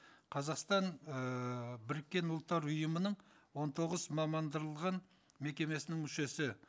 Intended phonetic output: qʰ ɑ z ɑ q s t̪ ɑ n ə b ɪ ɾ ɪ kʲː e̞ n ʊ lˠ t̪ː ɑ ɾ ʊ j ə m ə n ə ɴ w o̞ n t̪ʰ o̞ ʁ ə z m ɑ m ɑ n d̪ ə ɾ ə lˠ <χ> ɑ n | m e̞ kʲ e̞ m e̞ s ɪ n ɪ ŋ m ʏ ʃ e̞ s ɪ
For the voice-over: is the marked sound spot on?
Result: no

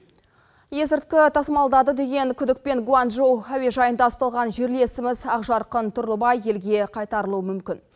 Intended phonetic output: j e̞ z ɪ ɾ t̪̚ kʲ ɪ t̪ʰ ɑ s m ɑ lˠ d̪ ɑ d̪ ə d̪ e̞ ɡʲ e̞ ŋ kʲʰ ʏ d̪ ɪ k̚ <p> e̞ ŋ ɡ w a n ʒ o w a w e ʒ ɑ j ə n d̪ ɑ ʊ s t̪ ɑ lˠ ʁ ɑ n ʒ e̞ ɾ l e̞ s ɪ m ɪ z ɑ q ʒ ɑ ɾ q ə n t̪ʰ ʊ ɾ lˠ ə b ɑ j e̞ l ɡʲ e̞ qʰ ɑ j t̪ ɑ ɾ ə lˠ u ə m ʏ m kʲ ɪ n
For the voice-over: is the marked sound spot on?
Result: yes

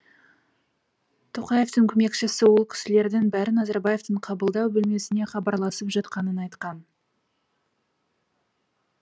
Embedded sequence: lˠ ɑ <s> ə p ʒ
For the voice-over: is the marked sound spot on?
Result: yes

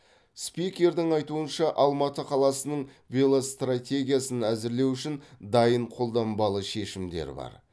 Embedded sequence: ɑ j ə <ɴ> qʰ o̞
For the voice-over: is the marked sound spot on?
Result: yes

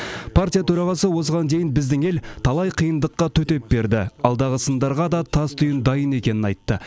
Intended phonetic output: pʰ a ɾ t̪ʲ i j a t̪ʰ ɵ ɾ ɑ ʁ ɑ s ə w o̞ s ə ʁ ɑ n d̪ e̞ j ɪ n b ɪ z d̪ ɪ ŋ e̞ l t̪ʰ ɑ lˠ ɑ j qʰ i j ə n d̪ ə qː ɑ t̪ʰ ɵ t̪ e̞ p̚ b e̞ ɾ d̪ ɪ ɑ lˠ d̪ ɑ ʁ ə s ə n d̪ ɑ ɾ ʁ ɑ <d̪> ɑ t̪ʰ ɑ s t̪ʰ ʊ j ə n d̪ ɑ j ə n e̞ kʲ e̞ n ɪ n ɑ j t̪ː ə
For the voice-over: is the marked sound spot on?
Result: yes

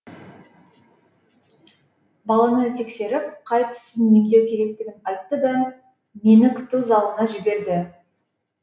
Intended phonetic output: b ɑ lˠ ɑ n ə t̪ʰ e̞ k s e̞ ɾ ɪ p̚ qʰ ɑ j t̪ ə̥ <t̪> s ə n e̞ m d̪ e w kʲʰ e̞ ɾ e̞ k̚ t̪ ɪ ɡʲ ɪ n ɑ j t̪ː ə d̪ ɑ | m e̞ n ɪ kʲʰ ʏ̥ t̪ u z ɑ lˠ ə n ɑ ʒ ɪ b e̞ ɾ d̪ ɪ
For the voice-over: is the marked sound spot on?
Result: no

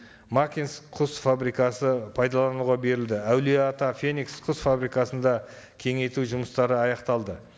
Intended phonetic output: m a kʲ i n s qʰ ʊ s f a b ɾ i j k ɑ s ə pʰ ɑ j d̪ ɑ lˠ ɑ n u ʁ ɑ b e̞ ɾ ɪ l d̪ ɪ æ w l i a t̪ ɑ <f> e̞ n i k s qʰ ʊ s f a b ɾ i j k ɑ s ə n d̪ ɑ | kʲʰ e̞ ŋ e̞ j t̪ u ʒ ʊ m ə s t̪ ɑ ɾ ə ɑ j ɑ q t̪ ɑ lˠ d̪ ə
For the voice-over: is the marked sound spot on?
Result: yes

